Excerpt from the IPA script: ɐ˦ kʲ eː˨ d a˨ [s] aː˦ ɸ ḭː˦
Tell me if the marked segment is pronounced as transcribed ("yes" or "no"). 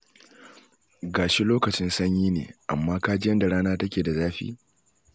no